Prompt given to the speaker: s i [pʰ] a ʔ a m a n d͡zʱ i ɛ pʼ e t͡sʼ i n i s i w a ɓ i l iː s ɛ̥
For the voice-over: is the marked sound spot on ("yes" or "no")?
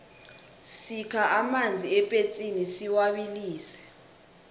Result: no